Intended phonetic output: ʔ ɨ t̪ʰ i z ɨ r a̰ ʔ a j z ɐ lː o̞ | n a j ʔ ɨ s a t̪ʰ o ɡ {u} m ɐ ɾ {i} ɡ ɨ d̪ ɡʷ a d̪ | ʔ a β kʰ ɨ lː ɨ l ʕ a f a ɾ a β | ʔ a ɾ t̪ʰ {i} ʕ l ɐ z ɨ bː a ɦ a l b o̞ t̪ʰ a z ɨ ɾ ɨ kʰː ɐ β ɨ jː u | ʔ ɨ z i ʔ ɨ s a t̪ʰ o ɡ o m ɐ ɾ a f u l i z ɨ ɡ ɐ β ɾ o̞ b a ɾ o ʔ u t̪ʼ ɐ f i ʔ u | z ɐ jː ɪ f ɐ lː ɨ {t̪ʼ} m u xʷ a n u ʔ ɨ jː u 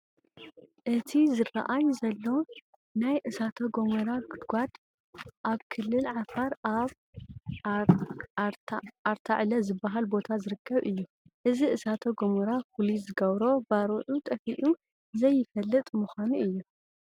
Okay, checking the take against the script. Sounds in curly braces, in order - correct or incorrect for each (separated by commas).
incorrect, incorrect, incorrect, correct